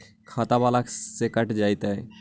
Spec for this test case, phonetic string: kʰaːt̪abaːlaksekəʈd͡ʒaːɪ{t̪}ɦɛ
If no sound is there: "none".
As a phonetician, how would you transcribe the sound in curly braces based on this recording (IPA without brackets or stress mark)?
t̪